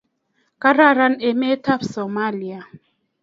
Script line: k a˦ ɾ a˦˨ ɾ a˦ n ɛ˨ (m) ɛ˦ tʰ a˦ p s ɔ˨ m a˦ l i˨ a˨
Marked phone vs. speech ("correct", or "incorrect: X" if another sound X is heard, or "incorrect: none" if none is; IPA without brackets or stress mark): correct